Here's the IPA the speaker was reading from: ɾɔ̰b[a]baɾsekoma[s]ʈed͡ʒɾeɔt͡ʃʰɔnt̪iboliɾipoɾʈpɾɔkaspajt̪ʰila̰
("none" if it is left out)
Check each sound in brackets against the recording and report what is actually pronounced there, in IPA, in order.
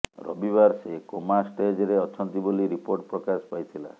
i, s

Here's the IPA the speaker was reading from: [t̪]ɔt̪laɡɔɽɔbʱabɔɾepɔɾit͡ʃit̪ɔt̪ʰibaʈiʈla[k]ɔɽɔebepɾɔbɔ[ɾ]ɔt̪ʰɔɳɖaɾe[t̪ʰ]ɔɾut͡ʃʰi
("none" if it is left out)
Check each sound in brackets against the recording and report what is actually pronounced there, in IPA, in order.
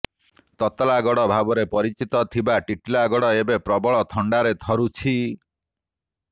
t̪, ɡ, ɭ, t̪ʰ

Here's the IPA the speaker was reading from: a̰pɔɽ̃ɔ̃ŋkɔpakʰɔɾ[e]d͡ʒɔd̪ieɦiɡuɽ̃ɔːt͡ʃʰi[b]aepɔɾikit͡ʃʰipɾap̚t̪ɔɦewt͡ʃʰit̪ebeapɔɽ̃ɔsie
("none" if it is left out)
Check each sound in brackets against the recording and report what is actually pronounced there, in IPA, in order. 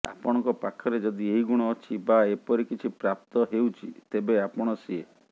e, b

